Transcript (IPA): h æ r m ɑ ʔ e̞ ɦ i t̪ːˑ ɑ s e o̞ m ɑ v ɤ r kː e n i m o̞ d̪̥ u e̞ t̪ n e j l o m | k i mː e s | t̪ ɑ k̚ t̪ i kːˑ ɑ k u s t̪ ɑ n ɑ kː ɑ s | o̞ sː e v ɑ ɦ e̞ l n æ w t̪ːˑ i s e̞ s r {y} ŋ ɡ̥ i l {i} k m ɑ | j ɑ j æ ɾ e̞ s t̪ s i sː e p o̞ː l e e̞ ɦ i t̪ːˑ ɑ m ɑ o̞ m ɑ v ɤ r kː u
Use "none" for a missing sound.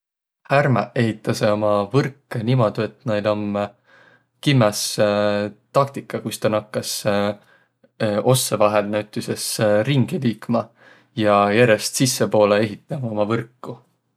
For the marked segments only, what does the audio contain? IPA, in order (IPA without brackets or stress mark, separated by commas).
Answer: i, iː